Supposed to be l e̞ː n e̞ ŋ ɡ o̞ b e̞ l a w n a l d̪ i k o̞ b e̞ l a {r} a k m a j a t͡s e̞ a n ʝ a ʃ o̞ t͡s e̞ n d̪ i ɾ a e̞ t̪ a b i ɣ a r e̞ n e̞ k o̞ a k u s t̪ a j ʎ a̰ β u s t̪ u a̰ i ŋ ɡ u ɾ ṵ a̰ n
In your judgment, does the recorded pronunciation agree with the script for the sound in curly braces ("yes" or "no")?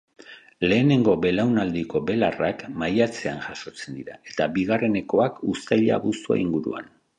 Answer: yes